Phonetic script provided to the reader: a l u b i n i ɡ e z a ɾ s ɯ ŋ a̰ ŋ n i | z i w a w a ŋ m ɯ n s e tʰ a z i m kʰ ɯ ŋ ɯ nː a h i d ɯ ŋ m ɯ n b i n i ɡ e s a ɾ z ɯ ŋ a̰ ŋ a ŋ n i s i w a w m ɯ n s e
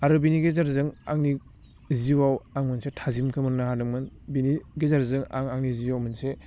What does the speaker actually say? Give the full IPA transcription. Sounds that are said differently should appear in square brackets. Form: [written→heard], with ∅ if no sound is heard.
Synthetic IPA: a [l→ɾ] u b i n i ɡ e z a ɾ [s→z] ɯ ŋ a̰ ŋ n i | z i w a w a ŋ m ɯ n s e tʰ a z i m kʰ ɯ [ŋ→m] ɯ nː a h [i→a] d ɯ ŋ m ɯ n b i n i ɡ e [s→z] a ɾ z ɯ ŋ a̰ ŋ a ŋ n i [s→z] i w a w m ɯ n s e